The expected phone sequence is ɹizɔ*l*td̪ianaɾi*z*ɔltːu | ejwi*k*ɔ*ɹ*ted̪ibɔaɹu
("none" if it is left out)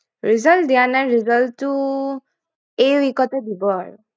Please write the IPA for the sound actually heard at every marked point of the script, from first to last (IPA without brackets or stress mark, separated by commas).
l, z, k, none